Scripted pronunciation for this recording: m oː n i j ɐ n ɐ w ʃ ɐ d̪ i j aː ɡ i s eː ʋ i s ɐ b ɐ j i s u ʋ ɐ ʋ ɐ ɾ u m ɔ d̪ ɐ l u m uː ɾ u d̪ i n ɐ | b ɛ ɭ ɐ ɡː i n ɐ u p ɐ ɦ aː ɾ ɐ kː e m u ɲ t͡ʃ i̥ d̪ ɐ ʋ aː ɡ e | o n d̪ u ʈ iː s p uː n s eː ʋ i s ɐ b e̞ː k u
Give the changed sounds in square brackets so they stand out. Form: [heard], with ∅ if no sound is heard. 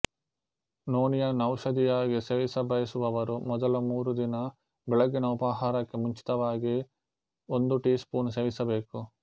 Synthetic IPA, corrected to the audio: [n] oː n i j ɐ n ɐ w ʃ ɐ d̪ i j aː ɡ i s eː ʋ i s ɐ b ɐ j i s u ʋ ɐ ʋ ɐ ɾ u m ɔ d̪ ɐ l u m uː ɾ u d̪ i n ɐ | b ɛ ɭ ɐ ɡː i n ɐ u p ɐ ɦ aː ɾ ɐ kː e m u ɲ t͡ʃ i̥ [t̪] ɐ ʋ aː ɡ [i] | o n d̪ u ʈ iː s p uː n s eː ʋ i s ɐ b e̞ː k u